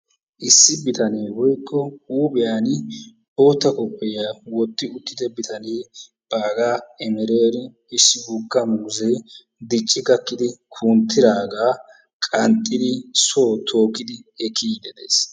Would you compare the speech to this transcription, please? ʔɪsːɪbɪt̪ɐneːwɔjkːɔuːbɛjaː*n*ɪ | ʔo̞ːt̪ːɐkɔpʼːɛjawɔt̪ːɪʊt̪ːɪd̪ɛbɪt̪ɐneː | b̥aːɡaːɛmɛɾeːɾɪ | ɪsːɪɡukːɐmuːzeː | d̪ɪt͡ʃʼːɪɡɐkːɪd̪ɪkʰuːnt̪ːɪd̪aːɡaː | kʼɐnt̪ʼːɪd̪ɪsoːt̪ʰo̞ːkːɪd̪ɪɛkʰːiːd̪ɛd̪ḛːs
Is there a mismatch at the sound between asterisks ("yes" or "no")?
no